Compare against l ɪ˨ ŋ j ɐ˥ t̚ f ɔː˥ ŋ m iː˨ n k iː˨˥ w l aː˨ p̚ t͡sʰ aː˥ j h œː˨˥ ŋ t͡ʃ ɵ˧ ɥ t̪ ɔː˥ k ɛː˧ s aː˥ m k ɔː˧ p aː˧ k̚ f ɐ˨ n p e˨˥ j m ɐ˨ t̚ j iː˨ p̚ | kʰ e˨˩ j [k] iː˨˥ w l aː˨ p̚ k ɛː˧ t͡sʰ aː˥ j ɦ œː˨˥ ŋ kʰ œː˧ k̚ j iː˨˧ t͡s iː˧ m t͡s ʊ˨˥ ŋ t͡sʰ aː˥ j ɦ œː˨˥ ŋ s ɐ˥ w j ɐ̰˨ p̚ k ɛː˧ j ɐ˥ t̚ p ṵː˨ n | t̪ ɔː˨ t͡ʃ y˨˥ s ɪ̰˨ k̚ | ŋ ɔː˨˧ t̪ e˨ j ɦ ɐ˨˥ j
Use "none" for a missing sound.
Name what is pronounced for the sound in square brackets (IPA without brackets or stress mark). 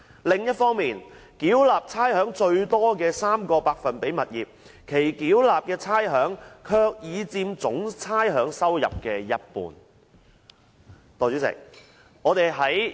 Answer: k